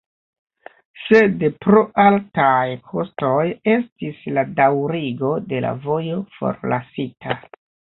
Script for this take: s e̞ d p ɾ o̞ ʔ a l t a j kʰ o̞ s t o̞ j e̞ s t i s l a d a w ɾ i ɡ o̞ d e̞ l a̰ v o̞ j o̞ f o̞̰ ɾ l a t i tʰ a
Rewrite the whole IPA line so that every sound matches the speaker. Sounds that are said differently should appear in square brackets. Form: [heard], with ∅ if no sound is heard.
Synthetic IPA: s e̞ d p ɾ o̞ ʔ a l t a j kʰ o̞ s t o̞ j e̞ s t i s l a d a w ɾ i ɡ o̞ d e̞ l a̰ v o̞ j o̞ f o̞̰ ɾ l a [s] i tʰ a